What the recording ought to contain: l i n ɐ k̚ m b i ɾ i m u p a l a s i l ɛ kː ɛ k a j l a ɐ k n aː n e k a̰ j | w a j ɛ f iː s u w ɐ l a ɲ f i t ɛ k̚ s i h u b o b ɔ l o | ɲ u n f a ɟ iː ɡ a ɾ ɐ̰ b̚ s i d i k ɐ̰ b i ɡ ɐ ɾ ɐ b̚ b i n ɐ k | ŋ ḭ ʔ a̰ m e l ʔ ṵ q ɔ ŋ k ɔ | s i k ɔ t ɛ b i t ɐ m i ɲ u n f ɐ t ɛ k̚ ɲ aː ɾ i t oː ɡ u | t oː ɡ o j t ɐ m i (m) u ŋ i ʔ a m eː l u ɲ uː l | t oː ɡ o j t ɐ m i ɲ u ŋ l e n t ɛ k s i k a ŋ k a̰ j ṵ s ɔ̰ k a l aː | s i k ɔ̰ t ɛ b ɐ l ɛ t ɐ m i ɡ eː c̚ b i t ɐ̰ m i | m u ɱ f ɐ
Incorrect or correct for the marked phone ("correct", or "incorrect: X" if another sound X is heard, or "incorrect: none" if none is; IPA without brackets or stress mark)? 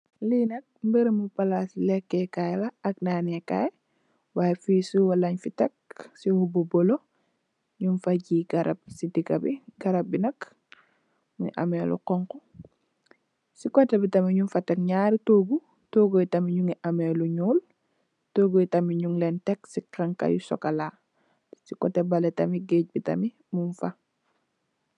incorrect: ɲ